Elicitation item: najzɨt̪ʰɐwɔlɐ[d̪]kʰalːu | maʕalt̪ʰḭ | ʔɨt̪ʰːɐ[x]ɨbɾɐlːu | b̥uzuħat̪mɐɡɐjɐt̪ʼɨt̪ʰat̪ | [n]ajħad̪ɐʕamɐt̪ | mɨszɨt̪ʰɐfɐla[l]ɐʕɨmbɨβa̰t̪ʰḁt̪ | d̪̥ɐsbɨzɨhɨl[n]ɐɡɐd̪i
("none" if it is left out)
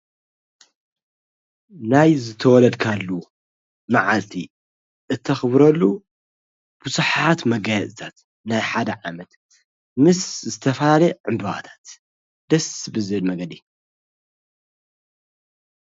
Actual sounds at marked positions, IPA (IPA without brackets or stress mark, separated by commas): d̪, x, n, l, m